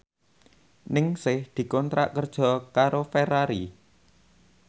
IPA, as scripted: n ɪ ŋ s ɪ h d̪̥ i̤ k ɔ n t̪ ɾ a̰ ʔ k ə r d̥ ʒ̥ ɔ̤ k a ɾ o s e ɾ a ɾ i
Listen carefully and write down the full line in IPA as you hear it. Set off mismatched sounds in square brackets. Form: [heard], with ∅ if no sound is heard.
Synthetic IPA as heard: n ɪ ŋ s ɪ h d̪̥ i̤ k ɔ n t̪ ɾ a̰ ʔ k ə r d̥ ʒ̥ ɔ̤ k a ɾ o [f] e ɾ a ɾ i